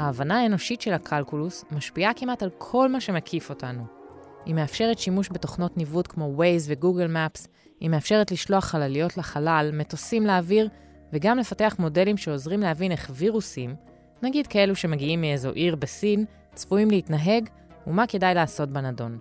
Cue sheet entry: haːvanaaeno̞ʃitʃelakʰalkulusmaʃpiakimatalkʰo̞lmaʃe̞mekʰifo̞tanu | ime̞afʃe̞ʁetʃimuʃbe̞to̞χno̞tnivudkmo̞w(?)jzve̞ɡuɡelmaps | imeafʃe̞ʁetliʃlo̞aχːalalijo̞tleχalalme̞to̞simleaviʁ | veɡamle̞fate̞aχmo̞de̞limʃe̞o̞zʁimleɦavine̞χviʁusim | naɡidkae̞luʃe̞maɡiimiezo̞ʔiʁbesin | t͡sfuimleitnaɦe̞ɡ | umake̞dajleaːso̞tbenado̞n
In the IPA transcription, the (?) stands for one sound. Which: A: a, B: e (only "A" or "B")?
B